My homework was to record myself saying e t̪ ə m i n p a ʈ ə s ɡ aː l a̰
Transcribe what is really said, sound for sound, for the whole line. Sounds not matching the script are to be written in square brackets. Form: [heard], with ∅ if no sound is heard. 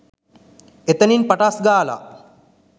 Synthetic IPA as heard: e t̪ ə [n] i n p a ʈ [a] s ɡ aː l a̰